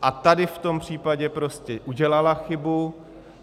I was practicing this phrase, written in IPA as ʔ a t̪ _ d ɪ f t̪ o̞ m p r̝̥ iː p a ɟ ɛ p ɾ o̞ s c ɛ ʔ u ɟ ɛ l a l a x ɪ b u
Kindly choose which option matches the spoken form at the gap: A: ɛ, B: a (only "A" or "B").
B